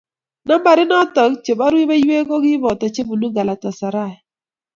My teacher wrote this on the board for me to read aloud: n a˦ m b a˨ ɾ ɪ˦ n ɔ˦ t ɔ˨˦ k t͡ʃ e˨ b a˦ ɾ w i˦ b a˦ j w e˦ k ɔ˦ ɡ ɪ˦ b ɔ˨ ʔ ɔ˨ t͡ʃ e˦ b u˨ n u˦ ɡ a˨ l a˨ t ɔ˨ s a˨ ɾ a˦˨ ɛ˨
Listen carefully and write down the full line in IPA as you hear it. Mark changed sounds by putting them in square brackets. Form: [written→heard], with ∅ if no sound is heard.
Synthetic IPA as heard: n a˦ m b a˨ ɾ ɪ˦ n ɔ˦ t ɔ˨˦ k t͡ʃ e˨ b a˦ ɾ w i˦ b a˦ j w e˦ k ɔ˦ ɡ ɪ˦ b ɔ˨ [ʔ→t] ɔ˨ t͡ʃ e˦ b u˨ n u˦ ɡ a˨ l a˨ t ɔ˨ s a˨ ɾ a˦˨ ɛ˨